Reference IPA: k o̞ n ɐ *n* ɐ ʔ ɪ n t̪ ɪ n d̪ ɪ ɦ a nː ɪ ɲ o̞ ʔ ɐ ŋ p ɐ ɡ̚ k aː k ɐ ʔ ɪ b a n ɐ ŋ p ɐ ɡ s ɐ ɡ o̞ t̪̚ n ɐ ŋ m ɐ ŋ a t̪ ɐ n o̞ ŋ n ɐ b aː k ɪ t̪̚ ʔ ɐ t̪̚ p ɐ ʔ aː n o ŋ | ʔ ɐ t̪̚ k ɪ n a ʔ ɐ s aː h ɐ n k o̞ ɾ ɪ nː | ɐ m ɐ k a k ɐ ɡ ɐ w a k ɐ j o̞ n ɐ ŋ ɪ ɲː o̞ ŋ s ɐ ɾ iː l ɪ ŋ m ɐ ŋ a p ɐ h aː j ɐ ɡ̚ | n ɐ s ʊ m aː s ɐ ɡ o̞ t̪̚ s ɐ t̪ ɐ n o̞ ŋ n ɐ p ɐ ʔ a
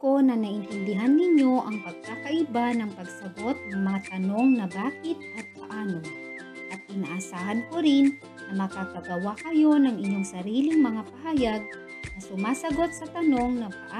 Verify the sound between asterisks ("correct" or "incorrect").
correct